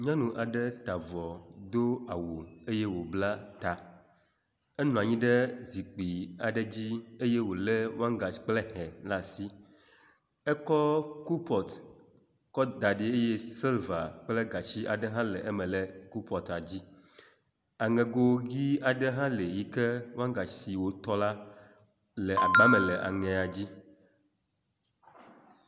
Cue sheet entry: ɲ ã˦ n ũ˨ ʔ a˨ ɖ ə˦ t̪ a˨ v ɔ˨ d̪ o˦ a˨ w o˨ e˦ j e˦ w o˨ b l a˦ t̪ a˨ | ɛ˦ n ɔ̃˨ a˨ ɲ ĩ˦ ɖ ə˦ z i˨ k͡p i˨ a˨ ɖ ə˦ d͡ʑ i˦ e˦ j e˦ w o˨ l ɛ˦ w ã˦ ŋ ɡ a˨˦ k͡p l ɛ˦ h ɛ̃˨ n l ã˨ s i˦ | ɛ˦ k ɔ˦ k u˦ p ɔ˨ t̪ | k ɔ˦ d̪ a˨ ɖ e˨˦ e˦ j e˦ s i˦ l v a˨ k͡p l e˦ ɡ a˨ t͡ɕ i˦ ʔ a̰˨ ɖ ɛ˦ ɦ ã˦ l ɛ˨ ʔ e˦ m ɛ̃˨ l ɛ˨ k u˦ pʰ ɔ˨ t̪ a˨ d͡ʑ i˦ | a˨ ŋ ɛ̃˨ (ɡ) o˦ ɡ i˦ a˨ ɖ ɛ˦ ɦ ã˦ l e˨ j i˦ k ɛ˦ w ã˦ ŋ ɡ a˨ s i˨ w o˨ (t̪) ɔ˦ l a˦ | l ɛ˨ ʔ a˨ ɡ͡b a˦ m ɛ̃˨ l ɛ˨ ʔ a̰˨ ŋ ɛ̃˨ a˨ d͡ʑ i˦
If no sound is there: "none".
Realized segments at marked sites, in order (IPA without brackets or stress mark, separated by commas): ɡ, t̪